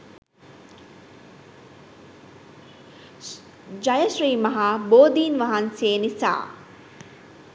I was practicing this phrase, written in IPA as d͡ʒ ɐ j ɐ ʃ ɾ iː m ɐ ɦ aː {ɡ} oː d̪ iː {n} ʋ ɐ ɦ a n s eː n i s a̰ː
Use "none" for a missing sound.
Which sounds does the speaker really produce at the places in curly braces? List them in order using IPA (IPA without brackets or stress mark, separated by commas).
b, n